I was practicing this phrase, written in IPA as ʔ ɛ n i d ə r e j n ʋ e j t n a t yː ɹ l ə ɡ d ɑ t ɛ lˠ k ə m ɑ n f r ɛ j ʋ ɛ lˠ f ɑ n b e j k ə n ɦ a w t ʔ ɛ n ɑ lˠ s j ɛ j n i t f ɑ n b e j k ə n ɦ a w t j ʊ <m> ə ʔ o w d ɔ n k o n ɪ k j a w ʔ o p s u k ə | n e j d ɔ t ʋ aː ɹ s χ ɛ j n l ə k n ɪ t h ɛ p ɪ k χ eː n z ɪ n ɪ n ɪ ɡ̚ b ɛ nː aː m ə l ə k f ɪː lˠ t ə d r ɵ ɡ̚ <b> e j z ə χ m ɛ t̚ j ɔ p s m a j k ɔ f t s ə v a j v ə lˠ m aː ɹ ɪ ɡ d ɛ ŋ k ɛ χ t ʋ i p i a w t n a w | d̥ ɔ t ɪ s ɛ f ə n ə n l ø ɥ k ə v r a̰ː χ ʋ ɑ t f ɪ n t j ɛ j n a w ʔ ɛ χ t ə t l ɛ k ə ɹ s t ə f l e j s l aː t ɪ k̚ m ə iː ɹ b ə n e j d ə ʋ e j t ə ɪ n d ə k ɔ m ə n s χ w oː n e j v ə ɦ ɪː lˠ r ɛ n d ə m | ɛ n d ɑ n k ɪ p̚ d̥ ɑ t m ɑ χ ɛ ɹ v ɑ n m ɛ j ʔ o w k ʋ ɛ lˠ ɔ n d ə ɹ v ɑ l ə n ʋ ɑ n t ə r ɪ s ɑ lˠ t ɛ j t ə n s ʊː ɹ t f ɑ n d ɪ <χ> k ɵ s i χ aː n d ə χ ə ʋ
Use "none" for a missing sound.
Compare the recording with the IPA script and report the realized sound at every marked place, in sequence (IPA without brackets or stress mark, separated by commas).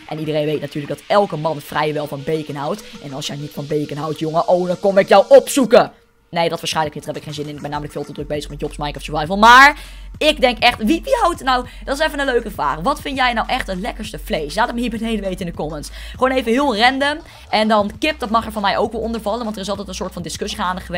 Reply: ŋ, b, s